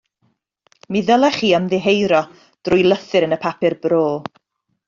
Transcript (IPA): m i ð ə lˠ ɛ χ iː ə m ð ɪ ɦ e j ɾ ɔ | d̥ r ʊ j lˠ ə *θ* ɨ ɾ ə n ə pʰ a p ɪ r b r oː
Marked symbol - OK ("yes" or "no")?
yes